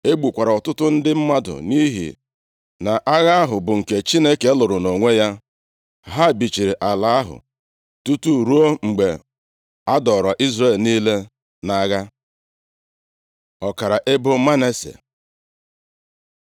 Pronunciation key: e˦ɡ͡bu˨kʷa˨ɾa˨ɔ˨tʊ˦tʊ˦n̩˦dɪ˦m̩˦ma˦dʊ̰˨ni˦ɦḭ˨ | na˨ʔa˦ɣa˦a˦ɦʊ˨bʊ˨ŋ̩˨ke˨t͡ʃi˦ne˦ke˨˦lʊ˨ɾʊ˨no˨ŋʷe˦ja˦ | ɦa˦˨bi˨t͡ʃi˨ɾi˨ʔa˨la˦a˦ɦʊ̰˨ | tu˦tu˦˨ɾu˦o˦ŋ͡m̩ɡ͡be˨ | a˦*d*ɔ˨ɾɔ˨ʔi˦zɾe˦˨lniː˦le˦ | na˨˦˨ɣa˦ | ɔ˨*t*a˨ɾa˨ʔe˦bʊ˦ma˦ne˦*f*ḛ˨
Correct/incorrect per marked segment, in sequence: correct, incorrect: k, incorrect: s

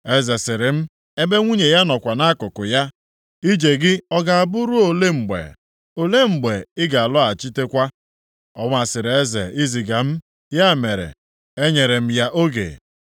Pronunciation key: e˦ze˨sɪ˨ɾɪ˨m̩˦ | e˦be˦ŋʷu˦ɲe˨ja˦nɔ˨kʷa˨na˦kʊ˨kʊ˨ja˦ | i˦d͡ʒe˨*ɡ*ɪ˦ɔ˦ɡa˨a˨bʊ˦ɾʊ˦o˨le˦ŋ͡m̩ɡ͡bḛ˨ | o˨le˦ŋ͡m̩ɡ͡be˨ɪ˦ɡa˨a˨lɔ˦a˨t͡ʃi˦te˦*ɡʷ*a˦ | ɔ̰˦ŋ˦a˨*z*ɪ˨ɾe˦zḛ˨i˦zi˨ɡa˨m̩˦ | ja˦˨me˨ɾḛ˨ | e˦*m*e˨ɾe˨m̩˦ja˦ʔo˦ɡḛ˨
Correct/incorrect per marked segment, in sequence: correct, incorrect: kʷ, incorrect: s, incorrect: ɲ

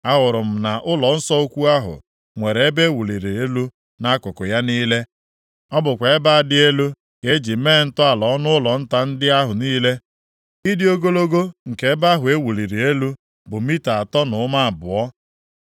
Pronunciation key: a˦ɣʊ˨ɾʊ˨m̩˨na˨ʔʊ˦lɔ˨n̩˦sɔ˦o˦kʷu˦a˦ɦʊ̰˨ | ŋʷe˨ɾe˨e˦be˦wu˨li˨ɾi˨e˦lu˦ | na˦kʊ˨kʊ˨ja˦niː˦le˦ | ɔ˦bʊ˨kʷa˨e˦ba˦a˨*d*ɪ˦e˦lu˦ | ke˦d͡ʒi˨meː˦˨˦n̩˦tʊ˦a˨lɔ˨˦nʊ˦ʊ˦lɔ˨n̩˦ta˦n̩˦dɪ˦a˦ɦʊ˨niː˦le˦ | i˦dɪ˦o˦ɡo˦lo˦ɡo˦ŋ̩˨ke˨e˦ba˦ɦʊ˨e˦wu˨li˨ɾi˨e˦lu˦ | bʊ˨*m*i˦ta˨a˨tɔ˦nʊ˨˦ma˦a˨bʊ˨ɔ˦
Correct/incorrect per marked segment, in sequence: correct, correct

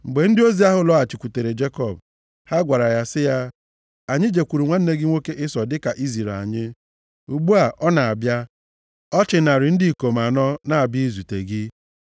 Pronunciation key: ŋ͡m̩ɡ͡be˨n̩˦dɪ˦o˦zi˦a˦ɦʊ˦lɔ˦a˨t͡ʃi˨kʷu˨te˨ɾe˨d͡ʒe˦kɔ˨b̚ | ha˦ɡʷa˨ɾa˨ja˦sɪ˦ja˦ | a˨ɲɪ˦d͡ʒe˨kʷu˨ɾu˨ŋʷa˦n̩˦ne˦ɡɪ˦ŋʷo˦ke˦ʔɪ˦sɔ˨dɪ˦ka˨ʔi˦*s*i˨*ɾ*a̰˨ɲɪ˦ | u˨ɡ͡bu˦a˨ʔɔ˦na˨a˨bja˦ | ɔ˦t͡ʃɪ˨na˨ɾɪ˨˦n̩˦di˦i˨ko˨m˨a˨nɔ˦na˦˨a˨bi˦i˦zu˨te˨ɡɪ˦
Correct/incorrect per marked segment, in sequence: incorrect: z, correct

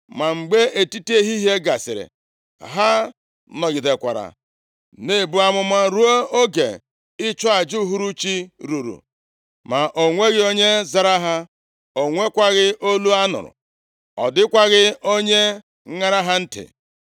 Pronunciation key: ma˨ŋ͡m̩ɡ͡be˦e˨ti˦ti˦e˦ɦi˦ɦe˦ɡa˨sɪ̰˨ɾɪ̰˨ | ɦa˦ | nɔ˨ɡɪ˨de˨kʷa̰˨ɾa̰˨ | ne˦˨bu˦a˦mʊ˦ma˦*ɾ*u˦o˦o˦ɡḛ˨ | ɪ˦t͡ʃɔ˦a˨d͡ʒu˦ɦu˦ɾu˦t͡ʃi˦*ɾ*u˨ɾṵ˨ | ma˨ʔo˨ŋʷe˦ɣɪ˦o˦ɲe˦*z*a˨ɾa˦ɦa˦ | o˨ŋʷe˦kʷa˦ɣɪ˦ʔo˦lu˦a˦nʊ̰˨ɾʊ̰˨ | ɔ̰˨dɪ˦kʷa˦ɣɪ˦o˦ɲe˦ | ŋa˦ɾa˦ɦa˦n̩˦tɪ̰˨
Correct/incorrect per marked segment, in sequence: correct, correct, correct

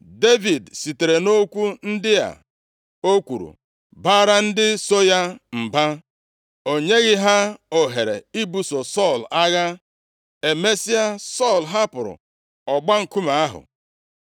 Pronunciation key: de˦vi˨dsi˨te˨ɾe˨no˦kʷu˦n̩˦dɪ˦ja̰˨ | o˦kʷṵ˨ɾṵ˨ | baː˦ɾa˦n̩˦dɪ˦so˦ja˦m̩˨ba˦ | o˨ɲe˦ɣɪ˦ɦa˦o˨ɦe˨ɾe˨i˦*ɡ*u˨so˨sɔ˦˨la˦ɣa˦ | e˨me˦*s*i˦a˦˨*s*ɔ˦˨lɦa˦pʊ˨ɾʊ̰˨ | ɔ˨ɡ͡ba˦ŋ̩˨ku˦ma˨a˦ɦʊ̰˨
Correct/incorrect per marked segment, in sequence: incorrect: b, correct, correct

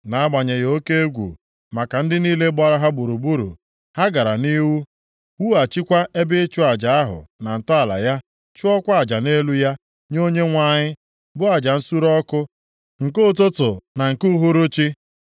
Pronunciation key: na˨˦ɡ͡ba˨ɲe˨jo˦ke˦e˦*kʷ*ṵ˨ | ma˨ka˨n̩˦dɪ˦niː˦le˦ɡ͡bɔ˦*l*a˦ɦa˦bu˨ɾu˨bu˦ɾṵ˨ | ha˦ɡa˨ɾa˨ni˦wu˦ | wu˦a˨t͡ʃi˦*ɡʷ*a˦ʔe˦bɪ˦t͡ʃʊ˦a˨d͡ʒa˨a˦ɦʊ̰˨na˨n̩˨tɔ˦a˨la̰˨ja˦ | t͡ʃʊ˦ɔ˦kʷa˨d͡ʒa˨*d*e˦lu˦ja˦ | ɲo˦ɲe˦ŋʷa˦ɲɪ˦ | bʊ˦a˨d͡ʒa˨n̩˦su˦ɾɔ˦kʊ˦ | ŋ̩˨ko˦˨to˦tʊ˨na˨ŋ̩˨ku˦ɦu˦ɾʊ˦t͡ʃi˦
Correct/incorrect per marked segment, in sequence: incorrect: ɡʷ, incorrect: ɾ, incorrect: kʷ, incorrect: n

